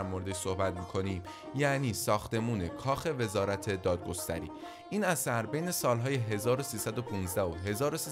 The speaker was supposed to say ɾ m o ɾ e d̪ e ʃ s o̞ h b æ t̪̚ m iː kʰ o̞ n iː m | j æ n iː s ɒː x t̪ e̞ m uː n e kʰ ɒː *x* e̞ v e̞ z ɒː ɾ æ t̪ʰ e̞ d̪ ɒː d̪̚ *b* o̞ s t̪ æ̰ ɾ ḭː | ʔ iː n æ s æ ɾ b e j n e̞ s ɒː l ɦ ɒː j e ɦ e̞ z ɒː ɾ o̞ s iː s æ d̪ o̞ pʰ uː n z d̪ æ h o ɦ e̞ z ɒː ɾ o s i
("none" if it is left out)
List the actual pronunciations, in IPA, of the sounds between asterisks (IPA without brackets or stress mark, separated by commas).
x, ɡ